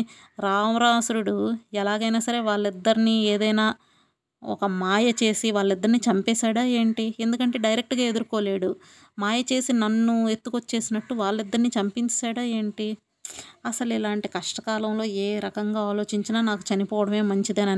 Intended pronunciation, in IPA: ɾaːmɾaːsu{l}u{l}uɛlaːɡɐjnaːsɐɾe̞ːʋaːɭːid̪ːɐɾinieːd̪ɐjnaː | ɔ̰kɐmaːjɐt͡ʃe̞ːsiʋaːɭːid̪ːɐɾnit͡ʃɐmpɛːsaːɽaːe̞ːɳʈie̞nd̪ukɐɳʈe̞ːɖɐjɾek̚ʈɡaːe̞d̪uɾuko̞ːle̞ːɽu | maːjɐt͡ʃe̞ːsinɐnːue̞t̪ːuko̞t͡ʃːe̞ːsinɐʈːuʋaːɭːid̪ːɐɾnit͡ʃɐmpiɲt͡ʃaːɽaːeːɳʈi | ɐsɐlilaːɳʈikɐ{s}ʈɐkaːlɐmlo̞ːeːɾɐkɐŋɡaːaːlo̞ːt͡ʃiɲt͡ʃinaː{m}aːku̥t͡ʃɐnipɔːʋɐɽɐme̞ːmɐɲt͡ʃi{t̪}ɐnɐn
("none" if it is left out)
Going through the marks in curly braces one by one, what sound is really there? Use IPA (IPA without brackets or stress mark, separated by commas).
ɾ, ɽ, ʂ, n, d̪